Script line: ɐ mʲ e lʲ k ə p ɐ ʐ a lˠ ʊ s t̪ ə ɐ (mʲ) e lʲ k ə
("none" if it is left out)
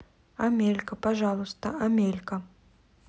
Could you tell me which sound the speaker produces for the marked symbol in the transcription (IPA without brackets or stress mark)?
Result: mʲ